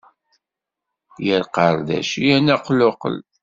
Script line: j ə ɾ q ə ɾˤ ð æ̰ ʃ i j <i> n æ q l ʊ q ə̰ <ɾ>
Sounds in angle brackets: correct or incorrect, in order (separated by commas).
incorrect, incorrect